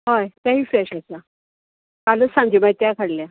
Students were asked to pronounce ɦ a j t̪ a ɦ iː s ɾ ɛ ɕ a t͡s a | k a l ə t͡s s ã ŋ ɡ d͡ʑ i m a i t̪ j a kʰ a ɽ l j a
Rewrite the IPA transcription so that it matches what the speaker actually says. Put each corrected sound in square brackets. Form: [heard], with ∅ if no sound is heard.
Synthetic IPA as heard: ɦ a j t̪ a ɦ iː [f] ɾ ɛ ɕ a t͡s a | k a l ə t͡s s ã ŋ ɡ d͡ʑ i m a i t̪ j a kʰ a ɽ l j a